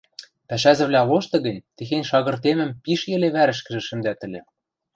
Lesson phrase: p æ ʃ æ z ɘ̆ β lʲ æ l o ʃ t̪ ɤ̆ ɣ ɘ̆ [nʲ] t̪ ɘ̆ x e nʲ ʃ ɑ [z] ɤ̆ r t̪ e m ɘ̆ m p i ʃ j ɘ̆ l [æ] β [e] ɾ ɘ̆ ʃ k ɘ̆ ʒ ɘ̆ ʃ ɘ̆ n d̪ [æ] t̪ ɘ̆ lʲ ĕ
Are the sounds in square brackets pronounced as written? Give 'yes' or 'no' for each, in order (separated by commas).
yes, no, no, no, yes